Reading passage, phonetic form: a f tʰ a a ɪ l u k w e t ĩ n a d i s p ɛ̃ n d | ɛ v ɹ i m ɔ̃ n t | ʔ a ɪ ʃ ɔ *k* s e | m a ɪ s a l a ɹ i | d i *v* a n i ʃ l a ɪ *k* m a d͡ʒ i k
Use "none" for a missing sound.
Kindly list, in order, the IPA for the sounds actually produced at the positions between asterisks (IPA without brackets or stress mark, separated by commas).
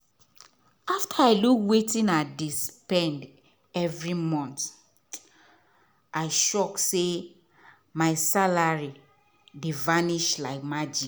k, v, k